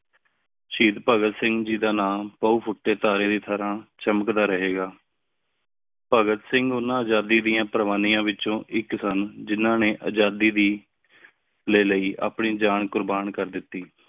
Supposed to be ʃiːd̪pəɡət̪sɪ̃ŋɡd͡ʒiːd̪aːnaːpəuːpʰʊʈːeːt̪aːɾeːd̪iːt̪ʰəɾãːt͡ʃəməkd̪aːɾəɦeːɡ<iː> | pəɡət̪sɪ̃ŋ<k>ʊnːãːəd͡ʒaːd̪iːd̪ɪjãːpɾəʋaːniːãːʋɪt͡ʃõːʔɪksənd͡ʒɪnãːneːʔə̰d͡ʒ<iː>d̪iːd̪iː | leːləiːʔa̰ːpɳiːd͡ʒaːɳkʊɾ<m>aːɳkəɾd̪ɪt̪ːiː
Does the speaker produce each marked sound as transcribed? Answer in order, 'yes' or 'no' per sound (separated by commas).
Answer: no, no, no, no